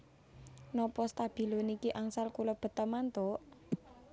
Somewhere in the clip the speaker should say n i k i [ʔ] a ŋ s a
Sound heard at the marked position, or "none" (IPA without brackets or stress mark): ʔ